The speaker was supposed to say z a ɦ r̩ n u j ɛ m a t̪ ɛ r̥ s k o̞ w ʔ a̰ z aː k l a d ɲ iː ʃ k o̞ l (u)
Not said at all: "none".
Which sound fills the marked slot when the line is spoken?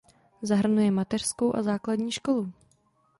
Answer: u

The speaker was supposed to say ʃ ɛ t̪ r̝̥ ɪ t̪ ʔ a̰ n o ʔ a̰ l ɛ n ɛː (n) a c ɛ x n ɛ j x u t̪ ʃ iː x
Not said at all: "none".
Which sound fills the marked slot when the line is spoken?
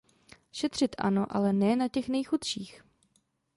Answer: n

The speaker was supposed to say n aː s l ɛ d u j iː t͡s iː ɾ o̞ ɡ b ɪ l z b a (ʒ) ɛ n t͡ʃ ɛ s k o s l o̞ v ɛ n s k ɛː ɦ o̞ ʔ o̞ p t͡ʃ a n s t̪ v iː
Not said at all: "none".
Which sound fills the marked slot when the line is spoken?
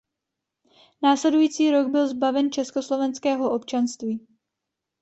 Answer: v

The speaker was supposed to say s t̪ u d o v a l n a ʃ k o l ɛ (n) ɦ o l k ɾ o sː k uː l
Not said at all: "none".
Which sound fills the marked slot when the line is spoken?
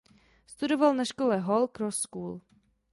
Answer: none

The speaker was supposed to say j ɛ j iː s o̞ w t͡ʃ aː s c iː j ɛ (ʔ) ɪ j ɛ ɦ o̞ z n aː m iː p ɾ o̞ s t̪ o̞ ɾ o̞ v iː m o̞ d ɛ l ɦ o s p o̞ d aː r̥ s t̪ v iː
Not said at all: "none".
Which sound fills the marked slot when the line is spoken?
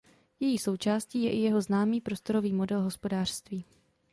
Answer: ʔ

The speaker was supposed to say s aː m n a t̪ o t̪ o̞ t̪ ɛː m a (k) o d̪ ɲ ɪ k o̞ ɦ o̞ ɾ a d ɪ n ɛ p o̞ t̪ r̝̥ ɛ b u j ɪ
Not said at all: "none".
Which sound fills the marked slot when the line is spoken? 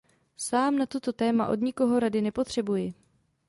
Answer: ʔ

